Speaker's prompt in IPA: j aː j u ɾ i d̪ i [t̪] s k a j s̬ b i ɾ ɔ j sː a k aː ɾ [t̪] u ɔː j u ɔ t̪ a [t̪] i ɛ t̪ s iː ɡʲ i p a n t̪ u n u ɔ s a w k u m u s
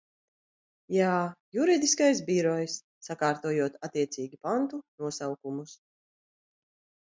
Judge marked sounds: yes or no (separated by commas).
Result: no, yes, yes